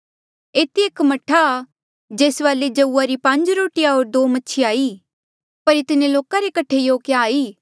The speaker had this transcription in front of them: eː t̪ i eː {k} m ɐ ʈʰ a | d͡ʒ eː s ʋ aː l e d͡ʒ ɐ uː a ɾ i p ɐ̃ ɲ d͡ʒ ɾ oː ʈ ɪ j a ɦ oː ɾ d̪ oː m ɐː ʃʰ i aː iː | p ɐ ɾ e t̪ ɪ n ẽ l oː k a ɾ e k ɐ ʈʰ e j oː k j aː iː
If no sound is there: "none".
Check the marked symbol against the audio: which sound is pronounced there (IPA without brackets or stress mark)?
k